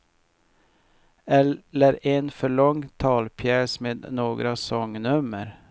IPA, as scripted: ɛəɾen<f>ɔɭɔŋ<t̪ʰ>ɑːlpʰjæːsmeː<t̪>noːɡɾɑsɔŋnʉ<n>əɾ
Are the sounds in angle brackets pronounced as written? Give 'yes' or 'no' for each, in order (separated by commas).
yes, yes, no, no